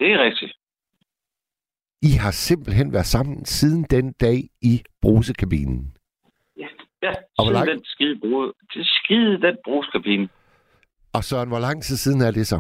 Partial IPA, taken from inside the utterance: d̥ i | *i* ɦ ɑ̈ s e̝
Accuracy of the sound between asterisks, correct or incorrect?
correct